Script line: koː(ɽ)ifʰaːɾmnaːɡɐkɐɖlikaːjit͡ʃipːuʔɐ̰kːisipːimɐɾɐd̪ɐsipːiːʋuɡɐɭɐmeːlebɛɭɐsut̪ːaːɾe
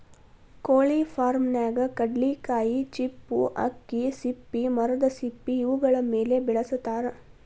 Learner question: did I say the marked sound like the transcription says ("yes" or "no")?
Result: no